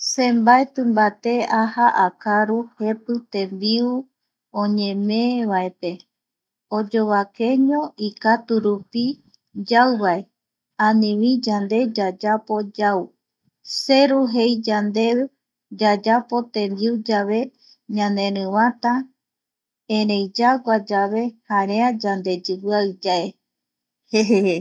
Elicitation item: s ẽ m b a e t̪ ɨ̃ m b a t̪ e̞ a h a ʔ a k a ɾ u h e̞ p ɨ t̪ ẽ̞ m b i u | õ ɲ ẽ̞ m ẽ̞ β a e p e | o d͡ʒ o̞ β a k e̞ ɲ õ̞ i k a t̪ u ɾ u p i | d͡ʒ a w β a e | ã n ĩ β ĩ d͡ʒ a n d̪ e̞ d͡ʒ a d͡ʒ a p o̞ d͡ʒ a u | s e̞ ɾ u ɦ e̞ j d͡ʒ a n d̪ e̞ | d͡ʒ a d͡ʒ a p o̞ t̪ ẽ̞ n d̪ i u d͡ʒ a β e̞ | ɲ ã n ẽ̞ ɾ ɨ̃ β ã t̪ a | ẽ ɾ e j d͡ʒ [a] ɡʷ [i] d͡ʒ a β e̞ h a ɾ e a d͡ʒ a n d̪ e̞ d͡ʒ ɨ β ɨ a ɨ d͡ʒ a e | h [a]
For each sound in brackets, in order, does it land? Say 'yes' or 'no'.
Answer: yes, no, no

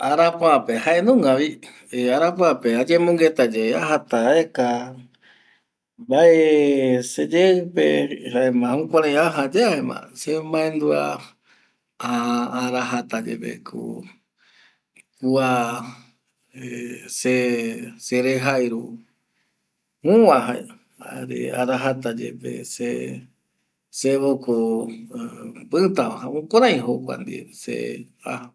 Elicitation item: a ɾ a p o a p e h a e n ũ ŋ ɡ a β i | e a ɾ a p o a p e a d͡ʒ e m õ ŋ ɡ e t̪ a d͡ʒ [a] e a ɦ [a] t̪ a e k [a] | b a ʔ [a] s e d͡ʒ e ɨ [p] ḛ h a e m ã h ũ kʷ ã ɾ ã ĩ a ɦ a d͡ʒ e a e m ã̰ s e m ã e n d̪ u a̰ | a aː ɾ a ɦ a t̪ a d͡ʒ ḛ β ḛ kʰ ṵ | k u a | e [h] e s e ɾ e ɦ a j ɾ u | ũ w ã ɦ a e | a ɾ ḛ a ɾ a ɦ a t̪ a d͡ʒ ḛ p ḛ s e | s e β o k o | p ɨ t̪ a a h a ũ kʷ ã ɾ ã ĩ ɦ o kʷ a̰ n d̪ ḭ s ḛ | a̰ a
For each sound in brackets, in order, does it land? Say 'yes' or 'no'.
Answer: no, yes, yes, no, yes, no

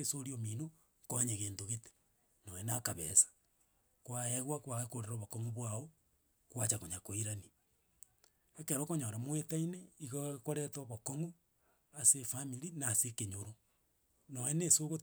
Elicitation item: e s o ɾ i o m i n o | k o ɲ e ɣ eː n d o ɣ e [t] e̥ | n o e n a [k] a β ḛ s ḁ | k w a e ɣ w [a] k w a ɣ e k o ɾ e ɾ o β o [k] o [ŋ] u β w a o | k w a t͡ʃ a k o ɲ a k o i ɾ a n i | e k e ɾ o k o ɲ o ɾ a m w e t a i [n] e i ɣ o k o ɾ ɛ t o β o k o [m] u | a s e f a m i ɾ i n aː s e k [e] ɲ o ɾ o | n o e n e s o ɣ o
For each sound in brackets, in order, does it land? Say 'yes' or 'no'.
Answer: yes, yes, yes, yes, yes, yes, no, yes

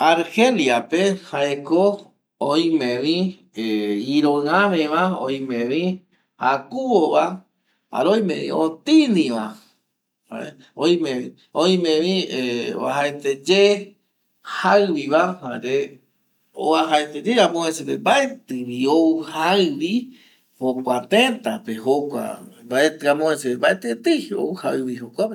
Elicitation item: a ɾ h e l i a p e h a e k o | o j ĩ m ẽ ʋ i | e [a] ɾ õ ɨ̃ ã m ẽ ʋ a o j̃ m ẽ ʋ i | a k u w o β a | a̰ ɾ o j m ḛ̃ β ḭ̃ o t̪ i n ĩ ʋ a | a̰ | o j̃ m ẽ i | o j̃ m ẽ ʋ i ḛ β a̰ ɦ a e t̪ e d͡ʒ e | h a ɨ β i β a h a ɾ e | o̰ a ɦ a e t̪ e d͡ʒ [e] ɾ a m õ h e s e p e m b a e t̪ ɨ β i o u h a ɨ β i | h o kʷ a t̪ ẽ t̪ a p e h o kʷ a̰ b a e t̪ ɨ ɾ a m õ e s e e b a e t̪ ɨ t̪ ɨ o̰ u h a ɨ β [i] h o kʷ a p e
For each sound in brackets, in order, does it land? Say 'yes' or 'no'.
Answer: no, yes, yes

